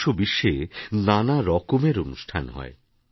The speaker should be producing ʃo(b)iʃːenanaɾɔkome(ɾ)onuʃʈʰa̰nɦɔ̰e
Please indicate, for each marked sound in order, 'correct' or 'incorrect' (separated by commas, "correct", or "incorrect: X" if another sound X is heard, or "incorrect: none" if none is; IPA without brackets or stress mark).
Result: correct, correct